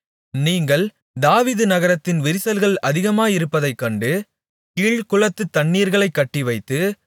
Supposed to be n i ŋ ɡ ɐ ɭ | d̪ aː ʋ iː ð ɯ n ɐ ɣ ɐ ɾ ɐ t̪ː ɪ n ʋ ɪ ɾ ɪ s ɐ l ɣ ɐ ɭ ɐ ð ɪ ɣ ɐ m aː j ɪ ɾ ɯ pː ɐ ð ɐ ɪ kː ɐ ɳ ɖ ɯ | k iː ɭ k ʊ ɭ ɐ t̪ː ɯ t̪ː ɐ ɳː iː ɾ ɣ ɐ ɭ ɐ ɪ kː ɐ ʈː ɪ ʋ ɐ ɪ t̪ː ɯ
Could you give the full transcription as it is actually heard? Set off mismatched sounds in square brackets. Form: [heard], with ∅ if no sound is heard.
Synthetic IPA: n [iː] ŋ ɡ ɐ ɭ | d̪ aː ʋ iː ð ɯ n ɐ ɣ ɐ ɾ ɐ t̪ː ɪ n ʋ ɪ ɾ ɪ s ɐ l ɣ ɐ ɭ ɐ ð ɪ ɣ ɐ m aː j ɪ ɾ ɯ pː ɐ ð ɐ ɪ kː ɐ ɳ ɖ ɯ | k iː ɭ k ʊ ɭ ɐ t̪ː ɯ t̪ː ɐ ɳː iː ɾ ɣ ɐ ɭ ɐ ɪ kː ɐ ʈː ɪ ʋ ɐ ɪ t̪ː ɯ

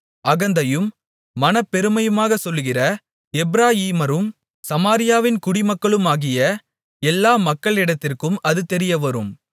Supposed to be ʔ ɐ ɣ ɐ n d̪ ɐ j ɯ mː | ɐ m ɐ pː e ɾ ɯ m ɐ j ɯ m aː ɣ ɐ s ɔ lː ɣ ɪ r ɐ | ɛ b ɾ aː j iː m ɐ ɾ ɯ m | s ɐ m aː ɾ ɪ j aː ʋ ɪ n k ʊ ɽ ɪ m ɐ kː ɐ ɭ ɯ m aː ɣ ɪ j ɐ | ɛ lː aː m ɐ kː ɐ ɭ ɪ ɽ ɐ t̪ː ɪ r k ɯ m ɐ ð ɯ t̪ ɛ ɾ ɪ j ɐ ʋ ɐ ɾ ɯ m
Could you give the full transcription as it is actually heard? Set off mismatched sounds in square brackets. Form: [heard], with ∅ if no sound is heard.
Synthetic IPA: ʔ ɐ ɣ ɐ n d̪ ɐ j ɯ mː | ɐ [n] ɐ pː [ɛ] ɾ ɯ m ɐ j ɯ m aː ɣ ɐ s ɔ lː ɣ ɪ r ɐ | ɛ b ɾ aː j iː m ɐ ɾ ɯ m | s ɐ m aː ɾ ɪ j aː ʋ ɪ n k ʊ ɽ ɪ m ɐ kː ɐ ɭ ɯ m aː ɣ ɪ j ɐ | ɛ lː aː m ɐ kː ɐ ɭ ɪ ɽ ɐ t̪ː ɪ r k ɯ m ɐ ð ɯ t̪ ɛ ɾ ɪ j ɐ ʋ ɐ ɾ ɯ m

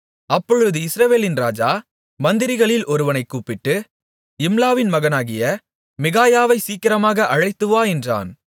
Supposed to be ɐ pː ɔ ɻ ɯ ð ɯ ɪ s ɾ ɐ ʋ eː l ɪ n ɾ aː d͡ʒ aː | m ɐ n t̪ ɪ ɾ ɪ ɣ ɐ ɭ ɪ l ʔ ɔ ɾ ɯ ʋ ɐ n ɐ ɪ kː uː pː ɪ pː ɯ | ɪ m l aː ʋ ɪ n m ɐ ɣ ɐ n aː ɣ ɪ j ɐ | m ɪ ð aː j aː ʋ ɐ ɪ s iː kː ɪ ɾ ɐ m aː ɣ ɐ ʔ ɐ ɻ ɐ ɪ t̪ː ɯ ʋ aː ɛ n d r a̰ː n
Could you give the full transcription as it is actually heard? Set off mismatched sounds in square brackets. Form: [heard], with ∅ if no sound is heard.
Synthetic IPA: ɐ pː ɔ ɻ ɯ ð ɯ ɪ s ɾ ɐ ʋ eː l ɪ n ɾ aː d͡ʒ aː | m ɐ n [d̪] ɪ ɾ ɪ ɣ ɐ ɭ ɪ l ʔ ɔ ɾ ɯ ʋ ɐ n ɐ ɪ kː uː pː ɪ [ʈː] ɯ | ɪ m l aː ʋ ɪ n m ɐ ɣ ɐ n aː ɣ ɪ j ɐ | m ɪ [ɣ] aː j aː ʋ ɐ ɪ s iː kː ɪ ɾ ɐ m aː ɣ ɐ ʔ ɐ ɻ ɐ ɪ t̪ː ɯ ʋ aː ɛ n d r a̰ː n

